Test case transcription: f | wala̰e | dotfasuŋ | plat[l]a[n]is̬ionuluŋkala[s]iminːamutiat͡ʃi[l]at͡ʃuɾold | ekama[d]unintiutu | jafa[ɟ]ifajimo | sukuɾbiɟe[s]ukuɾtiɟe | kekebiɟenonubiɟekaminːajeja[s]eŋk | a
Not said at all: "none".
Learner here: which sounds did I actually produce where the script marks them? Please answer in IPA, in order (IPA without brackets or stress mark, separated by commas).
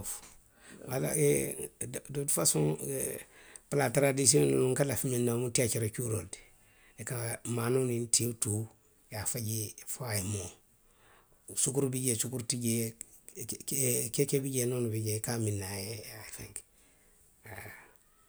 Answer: ɾ, d, f, ɾ, n, ɟ, s, f